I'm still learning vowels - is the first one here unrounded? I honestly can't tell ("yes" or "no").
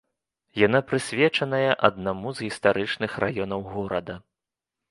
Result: yes